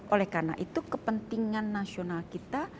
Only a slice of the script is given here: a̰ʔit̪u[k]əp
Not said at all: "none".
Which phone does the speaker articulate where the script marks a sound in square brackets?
k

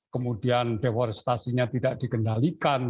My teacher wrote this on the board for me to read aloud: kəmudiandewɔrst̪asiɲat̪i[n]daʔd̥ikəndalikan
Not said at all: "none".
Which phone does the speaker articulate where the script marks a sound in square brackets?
none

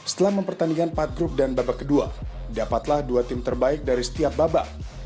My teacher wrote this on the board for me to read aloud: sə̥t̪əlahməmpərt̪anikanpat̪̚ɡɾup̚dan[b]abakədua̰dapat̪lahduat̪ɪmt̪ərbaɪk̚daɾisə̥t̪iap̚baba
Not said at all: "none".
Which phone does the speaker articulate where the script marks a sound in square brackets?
b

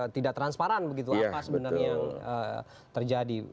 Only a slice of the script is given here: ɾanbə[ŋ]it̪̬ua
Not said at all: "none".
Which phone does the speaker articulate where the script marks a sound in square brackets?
ɡ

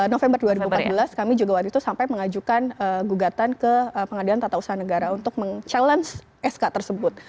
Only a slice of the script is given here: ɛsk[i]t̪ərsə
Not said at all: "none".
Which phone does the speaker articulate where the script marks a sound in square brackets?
a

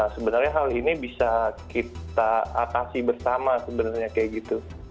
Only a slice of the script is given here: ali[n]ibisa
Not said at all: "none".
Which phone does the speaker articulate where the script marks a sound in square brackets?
n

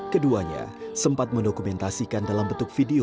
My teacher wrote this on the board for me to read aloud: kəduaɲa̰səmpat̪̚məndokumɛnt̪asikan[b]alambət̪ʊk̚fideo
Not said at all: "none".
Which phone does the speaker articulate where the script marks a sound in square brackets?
d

